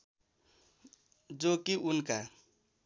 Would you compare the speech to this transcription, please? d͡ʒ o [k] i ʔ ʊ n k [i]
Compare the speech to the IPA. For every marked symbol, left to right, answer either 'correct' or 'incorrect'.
correct, incorrect

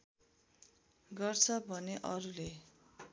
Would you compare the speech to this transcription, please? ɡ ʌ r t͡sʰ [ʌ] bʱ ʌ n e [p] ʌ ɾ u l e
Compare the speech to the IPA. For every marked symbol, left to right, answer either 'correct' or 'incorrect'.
correct, incorrect

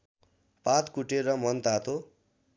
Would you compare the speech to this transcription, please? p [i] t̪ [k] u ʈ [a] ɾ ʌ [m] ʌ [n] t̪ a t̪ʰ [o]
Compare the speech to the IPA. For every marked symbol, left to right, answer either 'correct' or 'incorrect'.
incorrect, correct, incorrect, correct, correct, correct

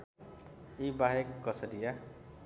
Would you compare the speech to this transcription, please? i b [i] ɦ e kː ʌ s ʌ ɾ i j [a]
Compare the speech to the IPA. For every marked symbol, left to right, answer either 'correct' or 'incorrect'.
incorrect, correct

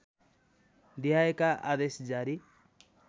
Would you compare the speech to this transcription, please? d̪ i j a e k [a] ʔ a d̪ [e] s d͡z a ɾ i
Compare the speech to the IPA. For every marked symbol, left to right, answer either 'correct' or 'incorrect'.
correct, correct

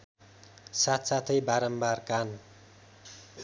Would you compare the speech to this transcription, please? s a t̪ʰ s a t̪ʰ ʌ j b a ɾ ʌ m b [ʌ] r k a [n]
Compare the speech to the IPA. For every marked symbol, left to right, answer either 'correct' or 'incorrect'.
incorrect, correct

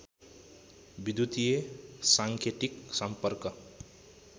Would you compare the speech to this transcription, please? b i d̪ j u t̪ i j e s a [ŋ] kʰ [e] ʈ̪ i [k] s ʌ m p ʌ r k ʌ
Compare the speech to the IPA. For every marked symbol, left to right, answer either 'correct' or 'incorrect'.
correct, correct, correct

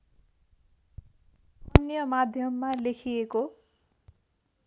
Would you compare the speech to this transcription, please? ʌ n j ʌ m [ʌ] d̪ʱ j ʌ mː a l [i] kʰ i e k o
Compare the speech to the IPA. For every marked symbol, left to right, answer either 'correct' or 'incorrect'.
incorrect, incorrect

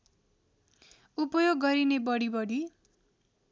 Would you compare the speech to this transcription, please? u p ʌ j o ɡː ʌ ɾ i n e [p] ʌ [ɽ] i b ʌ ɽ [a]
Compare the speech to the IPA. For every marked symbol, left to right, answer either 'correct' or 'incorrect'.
incorrect, correct, incorrect

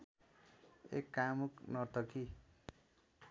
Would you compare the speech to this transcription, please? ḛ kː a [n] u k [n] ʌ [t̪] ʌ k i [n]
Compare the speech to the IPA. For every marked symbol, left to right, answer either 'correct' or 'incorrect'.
incorrect, correct, correct, incorrect

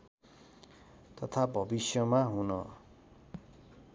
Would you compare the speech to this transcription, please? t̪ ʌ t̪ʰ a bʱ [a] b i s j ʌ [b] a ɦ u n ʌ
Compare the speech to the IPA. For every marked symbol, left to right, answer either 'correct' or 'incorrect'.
incorrect, incorrect

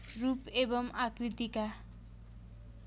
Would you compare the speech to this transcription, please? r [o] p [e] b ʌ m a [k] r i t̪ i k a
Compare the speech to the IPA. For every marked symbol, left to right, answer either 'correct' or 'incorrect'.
incorrect, correct, correct

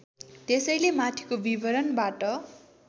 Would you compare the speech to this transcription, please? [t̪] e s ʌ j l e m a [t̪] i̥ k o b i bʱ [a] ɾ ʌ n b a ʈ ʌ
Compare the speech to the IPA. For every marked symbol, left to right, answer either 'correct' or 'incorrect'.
correct, incorrect, incorrect

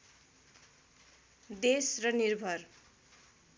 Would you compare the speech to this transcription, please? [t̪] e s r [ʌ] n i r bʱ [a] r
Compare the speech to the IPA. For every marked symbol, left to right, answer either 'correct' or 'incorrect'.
incorrect, correct, incorrect

